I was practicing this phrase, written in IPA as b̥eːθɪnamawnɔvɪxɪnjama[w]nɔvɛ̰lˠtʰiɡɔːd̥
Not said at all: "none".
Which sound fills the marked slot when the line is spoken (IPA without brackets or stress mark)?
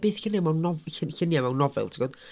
w